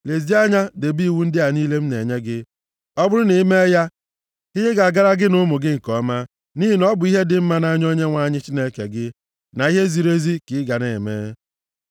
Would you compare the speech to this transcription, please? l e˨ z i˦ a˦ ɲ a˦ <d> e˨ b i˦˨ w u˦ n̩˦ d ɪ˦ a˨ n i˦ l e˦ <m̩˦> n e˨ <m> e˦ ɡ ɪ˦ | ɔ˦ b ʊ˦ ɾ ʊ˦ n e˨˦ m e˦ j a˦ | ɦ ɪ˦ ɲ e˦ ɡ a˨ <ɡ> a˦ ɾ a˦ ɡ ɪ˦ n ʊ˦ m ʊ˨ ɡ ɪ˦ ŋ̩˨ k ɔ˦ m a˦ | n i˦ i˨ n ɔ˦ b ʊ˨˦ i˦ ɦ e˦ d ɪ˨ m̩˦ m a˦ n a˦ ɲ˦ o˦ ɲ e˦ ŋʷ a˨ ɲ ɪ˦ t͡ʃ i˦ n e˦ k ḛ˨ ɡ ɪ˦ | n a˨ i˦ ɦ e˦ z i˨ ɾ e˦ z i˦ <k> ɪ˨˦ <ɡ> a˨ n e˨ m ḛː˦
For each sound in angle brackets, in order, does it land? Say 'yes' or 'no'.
yes, yes, no, yes, yes, yes

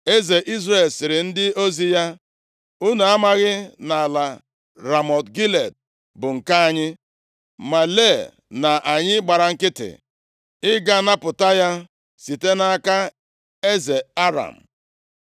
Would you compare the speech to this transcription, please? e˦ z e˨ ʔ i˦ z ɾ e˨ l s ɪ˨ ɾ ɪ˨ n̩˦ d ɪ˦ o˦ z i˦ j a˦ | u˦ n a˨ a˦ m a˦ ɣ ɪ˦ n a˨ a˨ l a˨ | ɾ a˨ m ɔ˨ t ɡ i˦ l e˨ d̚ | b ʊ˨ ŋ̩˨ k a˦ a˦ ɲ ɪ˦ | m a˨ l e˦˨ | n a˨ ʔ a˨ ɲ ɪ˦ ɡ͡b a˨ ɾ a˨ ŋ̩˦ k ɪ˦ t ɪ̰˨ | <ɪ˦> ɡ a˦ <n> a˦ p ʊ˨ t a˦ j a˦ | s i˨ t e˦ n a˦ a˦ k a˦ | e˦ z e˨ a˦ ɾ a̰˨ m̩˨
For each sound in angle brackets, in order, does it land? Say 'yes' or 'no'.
yes, yes

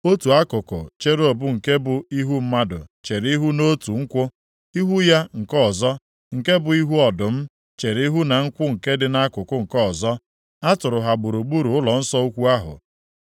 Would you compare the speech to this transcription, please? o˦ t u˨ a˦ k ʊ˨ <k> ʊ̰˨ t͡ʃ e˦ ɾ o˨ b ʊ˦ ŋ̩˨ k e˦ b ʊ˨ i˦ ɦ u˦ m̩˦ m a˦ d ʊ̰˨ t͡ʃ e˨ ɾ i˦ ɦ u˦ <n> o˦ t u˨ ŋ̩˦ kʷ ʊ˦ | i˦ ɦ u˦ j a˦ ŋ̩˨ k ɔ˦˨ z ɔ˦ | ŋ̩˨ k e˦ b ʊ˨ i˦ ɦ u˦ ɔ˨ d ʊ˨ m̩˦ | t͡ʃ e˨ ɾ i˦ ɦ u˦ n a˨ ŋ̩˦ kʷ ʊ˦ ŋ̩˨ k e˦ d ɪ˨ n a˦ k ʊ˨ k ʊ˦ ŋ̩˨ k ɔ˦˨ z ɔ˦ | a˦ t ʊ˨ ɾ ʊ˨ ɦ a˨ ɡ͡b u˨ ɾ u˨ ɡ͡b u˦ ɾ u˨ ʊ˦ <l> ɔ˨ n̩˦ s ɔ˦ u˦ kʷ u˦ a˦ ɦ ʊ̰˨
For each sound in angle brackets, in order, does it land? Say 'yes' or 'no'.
yes, yes, yes

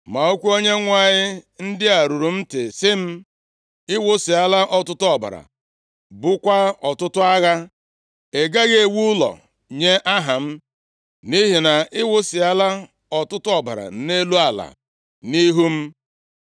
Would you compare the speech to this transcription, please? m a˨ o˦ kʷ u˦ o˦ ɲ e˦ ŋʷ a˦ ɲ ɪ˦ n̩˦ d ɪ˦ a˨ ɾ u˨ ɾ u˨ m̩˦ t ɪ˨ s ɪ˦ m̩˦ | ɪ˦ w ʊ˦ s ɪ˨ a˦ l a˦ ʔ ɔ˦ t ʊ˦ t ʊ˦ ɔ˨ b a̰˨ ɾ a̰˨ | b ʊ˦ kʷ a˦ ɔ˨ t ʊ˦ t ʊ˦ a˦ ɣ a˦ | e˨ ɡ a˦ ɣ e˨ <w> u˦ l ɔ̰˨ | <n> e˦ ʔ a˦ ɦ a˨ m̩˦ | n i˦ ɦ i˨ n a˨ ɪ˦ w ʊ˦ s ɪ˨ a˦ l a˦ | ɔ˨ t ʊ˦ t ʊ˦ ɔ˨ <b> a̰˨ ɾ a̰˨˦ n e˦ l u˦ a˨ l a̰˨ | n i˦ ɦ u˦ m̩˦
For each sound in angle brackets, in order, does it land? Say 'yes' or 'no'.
yes, no, yes

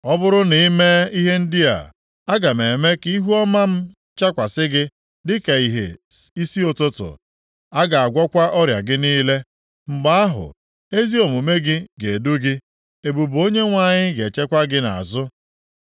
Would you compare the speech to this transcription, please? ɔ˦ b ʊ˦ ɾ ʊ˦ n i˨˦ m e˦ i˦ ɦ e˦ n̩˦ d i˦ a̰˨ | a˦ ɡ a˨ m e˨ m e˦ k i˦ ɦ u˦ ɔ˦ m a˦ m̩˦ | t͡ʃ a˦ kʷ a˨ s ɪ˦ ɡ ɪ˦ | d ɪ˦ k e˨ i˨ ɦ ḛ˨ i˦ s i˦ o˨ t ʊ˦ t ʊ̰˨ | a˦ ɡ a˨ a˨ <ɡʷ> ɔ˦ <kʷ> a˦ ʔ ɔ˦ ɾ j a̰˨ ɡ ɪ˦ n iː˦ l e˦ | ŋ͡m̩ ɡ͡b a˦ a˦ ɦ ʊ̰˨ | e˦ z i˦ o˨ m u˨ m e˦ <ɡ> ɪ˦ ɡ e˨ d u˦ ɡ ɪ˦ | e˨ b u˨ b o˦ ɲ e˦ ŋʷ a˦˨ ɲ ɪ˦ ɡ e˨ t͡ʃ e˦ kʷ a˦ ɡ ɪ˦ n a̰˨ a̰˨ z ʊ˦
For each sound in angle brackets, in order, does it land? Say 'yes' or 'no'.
yes, yes, yes

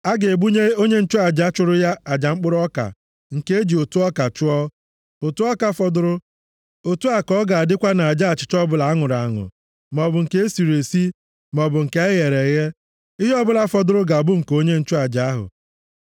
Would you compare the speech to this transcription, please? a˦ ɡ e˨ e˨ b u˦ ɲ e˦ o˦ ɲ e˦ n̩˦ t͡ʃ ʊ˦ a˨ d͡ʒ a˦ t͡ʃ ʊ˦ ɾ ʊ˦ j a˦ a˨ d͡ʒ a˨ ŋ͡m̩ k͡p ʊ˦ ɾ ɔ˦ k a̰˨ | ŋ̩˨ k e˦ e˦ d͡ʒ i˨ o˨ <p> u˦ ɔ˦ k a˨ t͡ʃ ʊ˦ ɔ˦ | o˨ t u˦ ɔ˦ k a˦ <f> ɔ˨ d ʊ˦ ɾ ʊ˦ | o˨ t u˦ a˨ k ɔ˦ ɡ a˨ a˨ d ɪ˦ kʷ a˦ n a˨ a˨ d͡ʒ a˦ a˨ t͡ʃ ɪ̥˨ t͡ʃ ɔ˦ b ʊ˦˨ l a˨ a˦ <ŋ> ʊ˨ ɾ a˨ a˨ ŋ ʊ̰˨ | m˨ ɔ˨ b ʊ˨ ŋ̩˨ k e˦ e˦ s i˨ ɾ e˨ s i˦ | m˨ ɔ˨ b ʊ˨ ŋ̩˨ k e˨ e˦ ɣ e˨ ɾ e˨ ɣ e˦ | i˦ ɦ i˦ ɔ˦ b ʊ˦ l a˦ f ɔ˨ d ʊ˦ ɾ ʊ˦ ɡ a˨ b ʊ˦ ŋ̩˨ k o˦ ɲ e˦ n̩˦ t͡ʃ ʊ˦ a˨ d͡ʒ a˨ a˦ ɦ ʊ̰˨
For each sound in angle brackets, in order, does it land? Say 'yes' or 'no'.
no, yes, yes

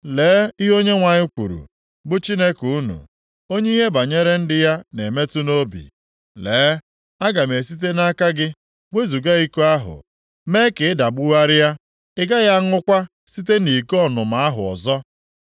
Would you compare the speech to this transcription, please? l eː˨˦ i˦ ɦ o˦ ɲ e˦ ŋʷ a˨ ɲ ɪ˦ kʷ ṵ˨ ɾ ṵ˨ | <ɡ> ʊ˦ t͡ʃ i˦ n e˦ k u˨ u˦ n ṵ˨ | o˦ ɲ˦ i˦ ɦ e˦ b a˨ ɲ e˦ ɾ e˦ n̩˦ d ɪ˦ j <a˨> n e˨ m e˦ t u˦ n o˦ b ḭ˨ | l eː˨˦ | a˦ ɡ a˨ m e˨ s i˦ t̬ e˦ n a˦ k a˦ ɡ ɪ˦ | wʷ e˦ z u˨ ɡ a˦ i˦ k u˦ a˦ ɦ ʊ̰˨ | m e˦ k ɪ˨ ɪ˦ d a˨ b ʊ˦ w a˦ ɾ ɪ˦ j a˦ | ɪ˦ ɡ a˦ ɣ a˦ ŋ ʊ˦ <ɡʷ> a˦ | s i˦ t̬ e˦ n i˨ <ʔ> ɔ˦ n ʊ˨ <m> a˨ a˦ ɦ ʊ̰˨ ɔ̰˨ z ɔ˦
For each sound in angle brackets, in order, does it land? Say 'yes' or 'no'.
no, no, no, no, yes

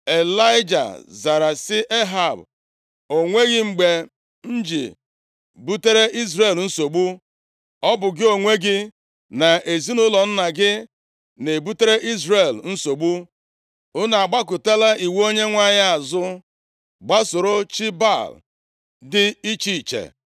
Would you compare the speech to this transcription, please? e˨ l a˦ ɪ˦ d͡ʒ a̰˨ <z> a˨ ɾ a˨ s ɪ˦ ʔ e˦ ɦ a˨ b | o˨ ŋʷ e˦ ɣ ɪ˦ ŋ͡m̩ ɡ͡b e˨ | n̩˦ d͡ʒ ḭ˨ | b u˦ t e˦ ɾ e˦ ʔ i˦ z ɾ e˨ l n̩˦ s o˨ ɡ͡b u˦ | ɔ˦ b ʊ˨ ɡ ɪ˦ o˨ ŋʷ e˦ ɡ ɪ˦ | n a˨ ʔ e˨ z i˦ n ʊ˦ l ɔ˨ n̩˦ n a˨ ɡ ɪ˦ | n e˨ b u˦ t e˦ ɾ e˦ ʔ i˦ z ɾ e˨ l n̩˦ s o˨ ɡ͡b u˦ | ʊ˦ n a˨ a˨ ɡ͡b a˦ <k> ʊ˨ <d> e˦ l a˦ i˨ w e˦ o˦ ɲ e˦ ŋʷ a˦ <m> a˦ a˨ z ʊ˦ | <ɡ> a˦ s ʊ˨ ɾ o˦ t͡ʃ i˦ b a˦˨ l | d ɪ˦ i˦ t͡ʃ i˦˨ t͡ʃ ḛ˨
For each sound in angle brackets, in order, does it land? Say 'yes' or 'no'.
yes, yes, no, no, no

